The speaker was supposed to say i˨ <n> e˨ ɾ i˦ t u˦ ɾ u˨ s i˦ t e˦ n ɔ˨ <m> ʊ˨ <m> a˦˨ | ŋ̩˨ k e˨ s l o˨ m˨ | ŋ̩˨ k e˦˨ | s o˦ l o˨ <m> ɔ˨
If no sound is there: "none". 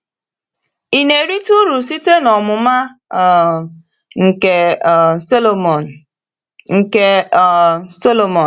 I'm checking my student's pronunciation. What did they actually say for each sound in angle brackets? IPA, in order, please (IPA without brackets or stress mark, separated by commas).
n, m, m, m